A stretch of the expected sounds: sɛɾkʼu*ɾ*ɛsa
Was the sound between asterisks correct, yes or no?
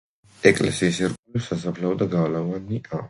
no